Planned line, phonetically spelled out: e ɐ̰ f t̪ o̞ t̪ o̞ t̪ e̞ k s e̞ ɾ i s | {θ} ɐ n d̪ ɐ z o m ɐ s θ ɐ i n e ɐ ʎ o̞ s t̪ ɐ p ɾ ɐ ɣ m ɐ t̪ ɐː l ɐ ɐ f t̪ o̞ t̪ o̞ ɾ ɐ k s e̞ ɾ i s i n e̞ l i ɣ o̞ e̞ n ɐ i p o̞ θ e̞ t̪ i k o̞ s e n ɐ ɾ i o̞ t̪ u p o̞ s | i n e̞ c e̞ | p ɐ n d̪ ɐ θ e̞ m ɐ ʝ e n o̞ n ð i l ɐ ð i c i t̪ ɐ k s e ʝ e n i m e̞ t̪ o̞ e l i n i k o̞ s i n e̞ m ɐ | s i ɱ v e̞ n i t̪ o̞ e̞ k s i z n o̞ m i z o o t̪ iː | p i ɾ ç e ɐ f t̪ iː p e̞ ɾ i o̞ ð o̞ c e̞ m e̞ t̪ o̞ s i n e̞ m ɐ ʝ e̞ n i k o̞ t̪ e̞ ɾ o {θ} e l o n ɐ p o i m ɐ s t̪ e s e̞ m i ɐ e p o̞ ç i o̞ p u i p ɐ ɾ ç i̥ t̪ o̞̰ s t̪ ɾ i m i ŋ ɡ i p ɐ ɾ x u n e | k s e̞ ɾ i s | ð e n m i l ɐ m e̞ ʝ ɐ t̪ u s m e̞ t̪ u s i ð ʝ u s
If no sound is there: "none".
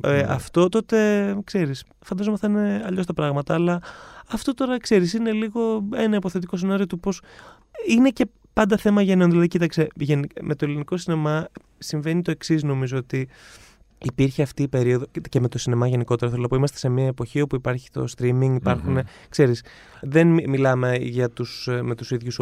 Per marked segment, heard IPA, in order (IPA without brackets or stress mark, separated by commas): f, θ